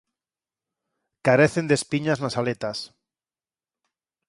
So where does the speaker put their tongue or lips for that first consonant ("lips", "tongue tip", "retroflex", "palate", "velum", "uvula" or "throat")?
velum